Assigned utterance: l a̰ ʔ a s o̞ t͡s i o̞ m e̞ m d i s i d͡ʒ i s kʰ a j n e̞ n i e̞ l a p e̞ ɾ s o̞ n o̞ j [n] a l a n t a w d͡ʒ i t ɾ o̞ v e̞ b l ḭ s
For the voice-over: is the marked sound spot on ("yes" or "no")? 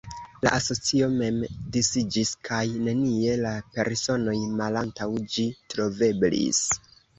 no